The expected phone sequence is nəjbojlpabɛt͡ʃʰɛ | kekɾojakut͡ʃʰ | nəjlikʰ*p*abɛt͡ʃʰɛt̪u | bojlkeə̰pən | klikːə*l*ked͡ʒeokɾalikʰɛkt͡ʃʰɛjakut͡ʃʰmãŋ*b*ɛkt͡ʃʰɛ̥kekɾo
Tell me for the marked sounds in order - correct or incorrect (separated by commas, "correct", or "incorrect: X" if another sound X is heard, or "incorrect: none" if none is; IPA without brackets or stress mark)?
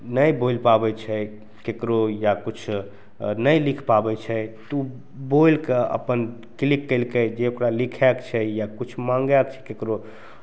correct, correct, incorrect: ɡ